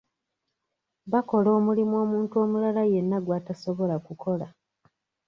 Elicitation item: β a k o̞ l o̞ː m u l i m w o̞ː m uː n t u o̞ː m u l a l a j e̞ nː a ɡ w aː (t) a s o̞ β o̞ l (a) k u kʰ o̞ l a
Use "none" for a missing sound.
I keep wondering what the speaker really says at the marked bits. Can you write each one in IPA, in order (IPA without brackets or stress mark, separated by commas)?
t, a